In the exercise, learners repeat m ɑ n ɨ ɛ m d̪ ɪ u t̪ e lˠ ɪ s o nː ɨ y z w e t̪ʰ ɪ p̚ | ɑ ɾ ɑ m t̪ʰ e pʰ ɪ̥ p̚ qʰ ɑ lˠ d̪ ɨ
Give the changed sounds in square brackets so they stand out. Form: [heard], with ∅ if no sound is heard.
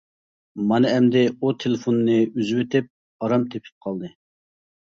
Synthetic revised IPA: m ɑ n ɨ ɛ m d̪ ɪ u [t̪ʰ] e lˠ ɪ [f] o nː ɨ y z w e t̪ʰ ɪ p̚ | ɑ ɾ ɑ m t̪ʰ e pʰ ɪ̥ p̚ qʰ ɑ lˠ d̪ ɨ